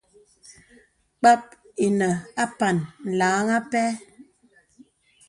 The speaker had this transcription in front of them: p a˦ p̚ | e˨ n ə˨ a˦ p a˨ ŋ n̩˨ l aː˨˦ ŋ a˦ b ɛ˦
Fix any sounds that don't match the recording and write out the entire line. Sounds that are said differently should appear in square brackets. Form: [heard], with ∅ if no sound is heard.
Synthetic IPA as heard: [k͡p] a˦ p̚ | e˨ n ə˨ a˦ p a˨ [n] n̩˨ l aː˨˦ ŋ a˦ [p] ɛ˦

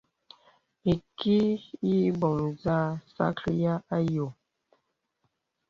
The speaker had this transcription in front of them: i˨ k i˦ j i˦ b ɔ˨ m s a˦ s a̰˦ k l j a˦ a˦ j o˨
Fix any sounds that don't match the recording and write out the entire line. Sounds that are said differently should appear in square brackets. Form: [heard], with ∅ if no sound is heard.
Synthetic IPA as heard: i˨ k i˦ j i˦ b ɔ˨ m [z] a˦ s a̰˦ k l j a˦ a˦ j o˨

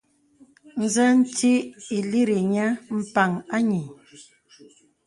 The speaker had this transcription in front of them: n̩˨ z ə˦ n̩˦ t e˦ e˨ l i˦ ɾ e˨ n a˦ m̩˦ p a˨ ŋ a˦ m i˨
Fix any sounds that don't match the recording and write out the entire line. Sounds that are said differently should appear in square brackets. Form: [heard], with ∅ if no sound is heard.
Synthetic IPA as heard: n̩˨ z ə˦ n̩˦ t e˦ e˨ l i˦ ɾ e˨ [ɲ] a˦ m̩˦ p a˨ ŋ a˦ [ɲ] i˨

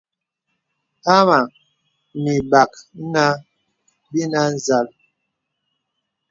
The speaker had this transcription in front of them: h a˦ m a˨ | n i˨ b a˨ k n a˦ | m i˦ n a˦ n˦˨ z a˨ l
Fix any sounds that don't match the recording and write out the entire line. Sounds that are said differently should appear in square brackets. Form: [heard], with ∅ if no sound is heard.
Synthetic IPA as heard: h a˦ m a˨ | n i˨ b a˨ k n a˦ | [b] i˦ n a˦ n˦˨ z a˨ l

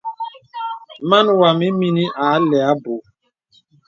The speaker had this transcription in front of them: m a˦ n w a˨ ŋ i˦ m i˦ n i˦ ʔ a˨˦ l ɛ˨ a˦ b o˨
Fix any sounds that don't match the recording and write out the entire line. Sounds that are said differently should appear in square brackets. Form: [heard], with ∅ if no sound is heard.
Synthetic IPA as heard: m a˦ n w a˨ [m] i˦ m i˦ n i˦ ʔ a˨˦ l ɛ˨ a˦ b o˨

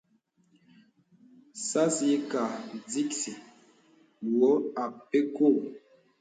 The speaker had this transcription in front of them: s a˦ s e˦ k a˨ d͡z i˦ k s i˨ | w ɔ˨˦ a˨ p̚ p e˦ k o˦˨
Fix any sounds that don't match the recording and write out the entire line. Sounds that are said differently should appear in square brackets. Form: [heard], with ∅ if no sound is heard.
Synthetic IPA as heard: s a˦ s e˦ k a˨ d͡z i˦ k s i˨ | w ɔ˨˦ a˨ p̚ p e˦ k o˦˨

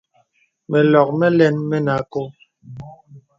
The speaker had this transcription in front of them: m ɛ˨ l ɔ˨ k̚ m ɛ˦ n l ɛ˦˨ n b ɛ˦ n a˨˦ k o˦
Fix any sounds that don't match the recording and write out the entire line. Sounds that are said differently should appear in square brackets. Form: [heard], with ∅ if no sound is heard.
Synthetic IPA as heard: m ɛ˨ l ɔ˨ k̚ m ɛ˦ [∅] l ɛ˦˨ n [m] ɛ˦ n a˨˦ k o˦

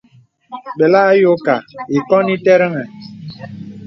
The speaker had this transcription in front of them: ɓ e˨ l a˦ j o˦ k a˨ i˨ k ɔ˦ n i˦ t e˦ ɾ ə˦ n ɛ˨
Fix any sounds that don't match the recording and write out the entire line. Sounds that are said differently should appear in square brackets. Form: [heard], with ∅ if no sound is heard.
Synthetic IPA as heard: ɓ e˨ l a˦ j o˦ k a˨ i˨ k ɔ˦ n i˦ t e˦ ɾ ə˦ [ŋ] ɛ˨

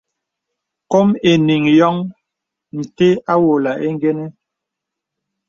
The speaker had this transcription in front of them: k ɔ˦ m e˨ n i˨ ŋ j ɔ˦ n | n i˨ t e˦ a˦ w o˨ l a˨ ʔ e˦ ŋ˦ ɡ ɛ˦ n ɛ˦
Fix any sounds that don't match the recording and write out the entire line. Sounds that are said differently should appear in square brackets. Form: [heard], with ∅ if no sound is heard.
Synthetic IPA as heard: k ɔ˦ m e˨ n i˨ ŋ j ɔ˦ [ŋ] | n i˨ t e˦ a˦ w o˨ l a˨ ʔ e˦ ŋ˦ ɡ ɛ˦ n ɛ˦

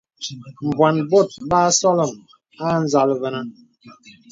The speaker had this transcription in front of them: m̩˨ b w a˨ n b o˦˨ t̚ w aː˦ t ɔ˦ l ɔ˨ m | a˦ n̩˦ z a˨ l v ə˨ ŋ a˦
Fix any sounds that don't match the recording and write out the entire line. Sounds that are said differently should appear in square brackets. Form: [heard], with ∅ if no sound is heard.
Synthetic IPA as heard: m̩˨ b w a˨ n b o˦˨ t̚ [b] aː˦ [s] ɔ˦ l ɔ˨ m | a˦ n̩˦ z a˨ l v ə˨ [n] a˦

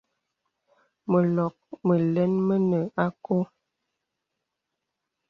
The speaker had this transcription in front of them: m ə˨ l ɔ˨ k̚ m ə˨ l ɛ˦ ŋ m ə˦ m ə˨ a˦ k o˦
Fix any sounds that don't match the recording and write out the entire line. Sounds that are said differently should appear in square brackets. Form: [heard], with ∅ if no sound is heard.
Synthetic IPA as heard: m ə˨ l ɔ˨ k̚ m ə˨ l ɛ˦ [n] m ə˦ [n] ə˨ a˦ k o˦

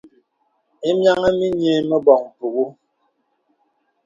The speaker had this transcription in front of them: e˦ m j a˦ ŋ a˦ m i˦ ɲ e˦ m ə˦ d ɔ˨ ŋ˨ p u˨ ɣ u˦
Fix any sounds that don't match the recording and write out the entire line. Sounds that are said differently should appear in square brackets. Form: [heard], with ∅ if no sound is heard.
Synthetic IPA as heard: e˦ m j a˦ ŋ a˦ m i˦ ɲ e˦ m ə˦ [b] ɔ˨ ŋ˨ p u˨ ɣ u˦

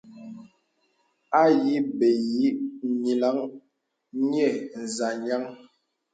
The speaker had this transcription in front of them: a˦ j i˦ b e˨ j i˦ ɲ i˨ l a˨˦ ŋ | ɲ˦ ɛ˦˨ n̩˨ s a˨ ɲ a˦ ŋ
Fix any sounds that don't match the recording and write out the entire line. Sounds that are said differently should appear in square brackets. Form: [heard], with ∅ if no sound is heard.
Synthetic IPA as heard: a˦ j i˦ b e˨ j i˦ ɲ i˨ l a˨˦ ŋ | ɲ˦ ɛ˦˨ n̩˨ [z] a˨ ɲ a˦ ŋ

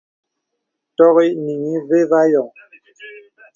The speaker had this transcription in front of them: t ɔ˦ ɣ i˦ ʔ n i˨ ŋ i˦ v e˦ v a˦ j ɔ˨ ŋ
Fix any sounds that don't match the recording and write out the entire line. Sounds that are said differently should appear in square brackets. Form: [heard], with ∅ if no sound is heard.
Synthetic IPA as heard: t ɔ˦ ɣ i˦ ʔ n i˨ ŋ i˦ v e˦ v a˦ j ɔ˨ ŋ

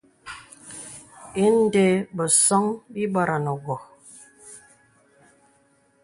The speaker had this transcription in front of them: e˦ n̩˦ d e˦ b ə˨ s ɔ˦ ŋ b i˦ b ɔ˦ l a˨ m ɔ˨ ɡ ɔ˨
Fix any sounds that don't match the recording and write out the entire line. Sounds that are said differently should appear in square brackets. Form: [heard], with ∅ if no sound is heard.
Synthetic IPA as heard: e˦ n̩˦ d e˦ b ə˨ s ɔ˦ ŋ b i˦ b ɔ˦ [ɾ] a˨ [n] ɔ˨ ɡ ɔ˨

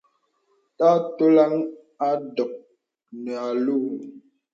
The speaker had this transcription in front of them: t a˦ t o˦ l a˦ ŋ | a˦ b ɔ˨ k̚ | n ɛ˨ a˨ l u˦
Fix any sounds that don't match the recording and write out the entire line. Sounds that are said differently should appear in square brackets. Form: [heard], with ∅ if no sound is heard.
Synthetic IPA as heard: t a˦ t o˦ l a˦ ŋ | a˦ [d] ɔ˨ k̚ | n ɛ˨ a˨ l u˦

